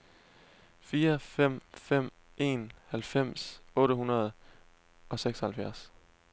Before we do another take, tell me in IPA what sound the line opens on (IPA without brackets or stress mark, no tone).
f